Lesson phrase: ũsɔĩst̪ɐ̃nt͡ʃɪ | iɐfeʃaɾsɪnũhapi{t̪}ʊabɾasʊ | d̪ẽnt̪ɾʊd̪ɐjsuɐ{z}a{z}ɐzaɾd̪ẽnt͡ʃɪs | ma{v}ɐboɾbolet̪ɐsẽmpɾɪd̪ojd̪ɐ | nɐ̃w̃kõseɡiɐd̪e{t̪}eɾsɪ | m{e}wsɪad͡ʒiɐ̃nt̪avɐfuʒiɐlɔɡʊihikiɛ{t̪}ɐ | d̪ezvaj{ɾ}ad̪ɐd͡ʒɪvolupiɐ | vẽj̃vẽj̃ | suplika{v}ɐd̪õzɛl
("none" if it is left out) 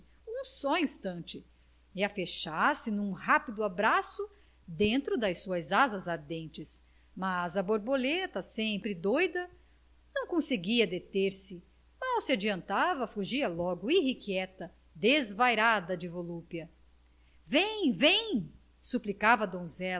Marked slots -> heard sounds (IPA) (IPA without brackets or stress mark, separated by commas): d̪, z, z, z, t̪, a, t̪, ɾ, v